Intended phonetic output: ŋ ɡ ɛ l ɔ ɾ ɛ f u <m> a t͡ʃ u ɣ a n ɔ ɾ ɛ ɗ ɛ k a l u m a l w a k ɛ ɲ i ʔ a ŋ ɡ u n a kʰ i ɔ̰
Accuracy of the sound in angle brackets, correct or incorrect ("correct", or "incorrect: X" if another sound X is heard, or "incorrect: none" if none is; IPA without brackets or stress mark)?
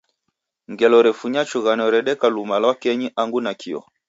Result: incorrect: ɲ